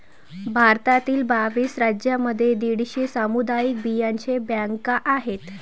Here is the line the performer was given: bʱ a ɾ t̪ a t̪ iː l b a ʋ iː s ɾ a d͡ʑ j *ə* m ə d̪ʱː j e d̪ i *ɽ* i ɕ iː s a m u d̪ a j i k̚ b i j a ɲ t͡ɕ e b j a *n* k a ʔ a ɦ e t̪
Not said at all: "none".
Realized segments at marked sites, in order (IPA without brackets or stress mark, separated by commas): a, ɽ, ŋ